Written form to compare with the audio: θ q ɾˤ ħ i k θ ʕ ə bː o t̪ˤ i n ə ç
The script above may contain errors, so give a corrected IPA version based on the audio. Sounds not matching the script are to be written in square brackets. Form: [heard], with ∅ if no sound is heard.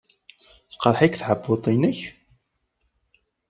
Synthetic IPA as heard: θ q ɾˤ ħ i k θ ʕ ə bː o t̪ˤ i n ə ç